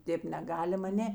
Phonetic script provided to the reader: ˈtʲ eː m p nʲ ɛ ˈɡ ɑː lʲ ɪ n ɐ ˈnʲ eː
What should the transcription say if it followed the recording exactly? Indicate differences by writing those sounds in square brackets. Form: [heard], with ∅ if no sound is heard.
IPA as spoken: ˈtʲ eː [∅] p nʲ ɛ ˈɡ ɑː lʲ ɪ [m] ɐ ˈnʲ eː